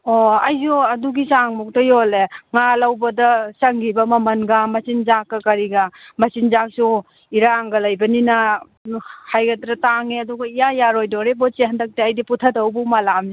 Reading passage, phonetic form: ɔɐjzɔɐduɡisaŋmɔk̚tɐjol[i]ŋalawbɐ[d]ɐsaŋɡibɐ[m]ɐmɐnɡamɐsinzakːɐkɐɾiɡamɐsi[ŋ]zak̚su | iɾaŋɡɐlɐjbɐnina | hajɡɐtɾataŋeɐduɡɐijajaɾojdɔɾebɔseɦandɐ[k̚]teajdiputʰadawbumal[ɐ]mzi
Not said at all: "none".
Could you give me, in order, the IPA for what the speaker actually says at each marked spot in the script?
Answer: e, d, m, n, k̚, a

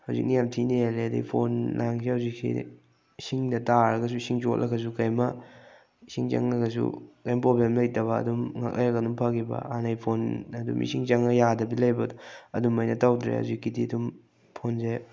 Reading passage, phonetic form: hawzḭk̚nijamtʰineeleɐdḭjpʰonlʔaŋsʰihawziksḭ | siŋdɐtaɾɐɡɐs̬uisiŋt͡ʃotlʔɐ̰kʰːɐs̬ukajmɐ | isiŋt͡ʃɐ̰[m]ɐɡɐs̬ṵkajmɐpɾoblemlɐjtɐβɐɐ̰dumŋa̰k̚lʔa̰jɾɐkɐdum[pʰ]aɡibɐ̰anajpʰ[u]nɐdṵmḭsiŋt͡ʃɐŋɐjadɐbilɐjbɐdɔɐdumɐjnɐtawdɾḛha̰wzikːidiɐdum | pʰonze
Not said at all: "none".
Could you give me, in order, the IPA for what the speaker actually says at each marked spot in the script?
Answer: ŋ, pʰ, o

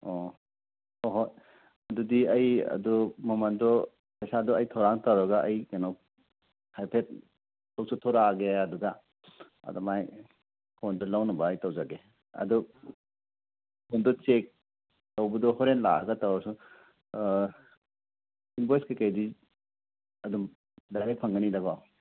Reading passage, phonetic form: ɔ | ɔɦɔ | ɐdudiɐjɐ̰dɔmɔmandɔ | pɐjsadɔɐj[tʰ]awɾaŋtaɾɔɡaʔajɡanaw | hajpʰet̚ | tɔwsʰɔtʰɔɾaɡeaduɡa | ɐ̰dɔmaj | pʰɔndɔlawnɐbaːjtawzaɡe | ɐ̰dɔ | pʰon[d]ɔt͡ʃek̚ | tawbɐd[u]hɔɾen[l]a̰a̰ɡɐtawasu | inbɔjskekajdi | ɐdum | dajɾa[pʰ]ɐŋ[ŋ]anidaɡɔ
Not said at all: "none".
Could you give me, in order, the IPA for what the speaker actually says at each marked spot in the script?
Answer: tʰ, d, ɔ, l, pʰ, ɡ

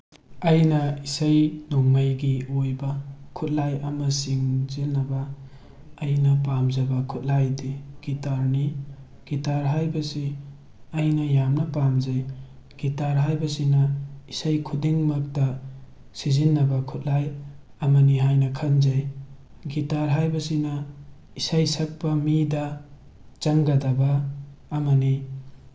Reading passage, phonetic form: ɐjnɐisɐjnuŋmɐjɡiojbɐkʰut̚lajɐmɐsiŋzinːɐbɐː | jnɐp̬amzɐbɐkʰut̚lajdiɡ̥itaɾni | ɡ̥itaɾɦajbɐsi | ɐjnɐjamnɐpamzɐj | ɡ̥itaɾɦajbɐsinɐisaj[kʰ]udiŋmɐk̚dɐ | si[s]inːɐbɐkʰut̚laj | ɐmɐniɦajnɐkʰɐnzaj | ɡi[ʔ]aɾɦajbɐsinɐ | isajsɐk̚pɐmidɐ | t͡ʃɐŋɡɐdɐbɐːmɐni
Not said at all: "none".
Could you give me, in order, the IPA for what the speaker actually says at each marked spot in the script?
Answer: kʰ, z, t

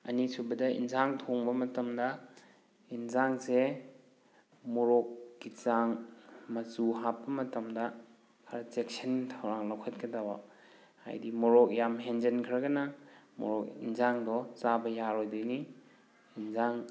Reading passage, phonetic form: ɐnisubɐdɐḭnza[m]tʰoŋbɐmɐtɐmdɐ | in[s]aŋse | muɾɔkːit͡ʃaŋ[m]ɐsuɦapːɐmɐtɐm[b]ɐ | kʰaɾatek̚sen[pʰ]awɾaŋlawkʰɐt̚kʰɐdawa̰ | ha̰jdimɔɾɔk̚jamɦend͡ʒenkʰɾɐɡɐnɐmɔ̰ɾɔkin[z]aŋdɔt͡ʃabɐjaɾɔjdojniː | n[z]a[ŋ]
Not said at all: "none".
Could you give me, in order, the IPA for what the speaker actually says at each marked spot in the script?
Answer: ŋ, z, m, d, tʰ, z, z, ŋ

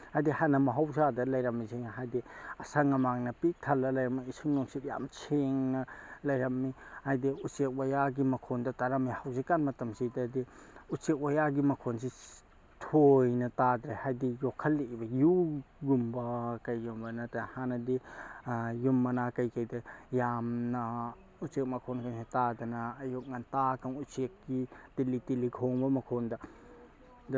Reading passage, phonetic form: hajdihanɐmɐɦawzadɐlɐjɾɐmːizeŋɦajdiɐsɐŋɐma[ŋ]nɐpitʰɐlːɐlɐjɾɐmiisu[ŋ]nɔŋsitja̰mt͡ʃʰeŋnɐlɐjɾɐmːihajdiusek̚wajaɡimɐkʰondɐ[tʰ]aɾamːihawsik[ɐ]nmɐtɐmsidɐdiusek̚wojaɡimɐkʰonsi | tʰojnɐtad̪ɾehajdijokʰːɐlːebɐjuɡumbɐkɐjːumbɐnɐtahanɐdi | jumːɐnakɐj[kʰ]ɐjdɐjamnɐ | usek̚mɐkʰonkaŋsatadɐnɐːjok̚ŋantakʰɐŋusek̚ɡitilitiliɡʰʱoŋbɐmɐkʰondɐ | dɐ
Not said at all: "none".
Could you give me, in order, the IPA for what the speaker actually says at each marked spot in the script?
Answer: ŋ, ŋ, t, a, k

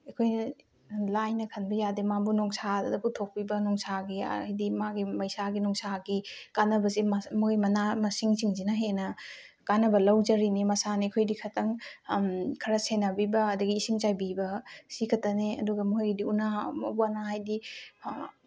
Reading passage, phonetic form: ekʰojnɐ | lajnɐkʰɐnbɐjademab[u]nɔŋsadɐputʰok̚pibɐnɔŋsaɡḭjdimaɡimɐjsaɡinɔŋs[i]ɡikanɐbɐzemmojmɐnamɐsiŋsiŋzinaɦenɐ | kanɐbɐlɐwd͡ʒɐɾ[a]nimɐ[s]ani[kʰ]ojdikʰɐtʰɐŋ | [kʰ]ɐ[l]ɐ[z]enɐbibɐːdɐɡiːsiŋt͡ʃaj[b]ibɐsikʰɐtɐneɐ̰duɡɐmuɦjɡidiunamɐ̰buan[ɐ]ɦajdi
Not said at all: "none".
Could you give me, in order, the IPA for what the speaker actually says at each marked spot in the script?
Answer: u, a, i, s, kʰ, kʰ, ɾ, s, b, a

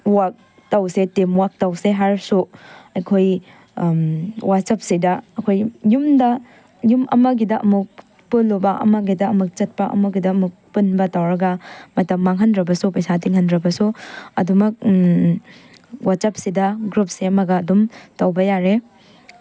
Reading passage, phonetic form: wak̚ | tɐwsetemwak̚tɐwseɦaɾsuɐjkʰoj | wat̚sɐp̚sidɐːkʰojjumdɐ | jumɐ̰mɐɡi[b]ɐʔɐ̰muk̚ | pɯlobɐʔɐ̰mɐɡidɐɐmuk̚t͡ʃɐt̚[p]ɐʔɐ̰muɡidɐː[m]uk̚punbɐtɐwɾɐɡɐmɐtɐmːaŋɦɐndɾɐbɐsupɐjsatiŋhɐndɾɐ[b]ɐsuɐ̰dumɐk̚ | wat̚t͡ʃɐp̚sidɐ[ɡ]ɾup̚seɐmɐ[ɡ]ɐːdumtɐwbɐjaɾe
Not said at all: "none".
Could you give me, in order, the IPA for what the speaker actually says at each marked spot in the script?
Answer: d, p, m, b, ɡ, ɡ

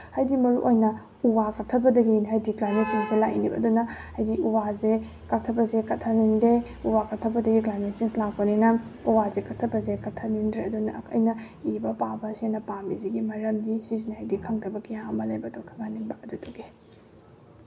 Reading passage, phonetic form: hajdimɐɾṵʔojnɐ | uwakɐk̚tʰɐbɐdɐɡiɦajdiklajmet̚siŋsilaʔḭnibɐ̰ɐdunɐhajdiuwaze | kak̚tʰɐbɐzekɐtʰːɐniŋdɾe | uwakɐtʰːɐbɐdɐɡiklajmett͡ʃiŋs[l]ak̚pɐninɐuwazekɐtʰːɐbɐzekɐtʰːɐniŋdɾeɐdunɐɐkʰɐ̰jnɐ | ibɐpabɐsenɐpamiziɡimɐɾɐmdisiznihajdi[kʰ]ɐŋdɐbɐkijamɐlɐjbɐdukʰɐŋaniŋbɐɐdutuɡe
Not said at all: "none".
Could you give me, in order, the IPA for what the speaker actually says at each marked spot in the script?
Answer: l, kʰ

